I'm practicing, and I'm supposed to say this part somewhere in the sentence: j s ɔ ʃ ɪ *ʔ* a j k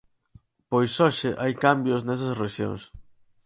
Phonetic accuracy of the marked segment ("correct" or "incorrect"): correct